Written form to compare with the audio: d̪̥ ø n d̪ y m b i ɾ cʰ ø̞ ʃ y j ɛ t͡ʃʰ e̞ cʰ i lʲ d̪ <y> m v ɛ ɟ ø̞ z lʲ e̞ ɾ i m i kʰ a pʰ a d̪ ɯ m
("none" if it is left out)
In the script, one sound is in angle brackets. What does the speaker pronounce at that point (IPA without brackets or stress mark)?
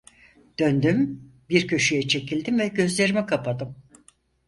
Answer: i